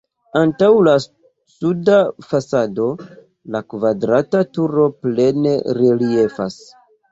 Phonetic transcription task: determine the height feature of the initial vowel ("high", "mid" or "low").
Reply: low